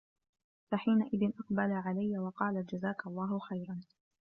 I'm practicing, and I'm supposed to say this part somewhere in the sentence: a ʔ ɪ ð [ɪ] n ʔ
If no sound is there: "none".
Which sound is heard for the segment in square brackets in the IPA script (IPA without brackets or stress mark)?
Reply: ɪ